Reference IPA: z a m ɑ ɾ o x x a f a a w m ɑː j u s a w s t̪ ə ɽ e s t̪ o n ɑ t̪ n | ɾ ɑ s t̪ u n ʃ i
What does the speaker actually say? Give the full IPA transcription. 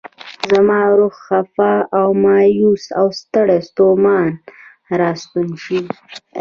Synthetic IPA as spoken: z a m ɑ ɾ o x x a f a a w m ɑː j u s a w s t̪ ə ɽ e s t̪ o m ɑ n | ɾ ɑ s t̪ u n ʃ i